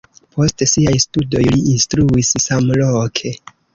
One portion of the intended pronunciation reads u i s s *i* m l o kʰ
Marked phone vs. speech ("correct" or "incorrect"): incorrect